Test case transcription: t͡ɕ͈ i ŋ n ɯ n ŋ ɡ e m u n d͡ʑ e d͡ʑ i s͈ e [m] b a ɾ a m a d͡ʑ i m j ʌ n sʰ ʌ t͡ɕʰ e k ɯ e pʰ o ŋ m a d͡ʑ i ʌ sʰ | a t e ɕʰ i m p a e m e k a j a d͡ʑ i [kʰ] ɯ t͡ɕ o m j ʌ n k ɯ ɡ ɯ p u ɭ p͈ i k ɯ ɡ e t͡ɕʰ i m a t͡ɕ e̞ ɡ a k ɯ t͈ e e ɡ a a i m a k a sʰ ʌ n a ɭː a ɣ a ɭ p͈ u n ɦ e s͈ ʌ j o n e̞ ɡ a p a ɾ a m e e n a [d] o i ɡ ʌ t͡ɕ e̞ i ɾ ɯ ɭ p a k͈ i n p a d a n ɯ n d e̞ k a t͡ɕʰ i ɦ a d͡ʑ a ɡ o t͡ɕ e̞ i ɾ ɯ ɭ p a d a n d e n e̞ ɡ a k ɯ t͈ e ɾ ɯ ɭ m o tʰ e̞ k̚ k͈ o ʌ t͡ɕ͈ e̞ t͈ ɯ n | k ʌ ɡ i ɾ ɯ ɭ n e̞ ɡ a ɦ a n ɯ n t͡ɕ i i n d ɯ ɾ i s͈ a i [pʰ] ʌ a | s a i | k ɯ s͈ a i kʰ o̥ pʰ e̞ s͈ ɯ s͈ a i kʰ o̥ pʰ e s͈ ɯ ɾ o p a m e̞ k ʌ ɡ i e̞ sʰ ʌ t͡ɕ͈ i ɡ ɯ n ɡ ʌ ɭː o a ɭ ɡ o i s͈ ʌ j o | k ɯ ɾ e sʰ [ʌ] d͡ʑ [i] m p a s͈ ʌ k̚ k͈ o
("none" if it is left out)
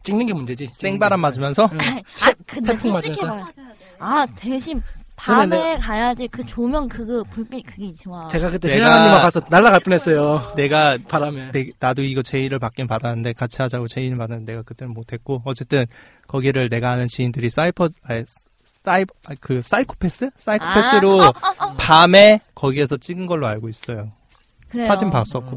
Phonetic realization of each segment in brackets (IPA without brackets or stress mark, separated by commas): ŋ, k, d, pʰ, a, i